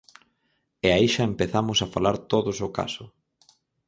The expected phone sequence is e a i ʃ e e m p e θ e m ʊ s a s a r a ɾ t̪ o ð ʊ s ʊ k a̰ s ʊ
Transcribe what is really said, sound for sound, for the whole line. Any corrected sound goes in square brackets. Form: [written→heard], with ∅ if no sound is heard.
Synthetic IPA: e a i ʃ [e→a] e m p e θ [e→a] m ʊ s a [s→f] a [r→l] a ɾ t̪ o ð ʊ s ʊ k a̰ s ʊ